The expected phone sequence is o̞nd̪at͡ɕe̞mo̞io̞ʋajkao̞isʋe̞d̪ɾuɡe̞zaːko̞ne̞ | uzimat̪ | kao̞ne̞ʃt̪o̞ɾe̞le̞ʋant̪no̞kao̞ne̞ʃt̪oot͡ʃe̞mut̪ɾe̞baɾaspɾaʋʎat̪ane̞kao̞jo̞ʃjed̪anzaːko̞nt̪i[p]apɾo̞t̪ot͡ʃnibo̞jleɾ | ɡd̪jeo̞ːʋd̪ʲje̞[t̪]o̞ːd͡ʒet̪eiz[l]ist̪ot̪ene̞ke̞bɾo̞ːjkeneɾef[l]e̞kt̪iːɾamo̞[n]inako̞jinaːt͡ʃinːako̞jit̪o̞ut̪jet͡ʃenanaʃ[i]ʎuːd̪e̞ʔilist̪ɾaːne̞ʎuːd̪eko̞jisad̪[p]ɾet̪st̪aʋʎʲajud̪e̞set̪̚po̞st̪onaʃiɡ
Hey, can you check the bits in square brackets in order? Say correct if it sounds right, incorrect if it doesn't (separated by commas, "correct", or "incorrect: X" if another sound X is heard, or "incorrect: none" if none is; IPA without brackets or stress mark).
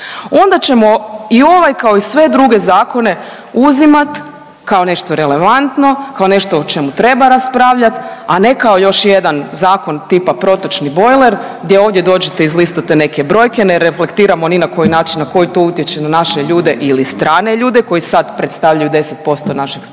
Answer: correct, incorrect: d̪, correct, correct, correct, incorrect: e, correct